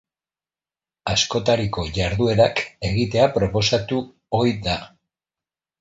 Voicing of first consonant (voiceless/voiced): voiceless